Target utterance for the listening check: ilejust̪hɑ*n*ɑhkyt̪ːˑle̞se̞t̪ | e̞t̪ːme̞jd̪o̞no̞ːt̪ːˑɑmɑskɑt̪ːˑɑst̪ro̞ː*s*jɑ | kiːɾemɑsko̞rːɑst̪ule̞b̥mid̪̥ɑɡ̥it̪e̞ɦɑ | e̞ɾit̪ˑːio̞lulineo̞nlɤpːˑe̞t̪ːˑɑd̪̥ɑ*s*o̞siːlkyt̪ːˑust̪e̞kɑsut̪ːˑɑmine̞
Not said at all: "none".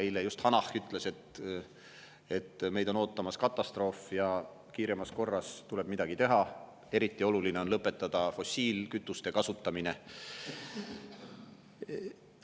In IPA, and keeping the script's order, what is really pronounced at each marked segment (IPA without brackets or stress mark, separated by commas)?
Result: n, f, f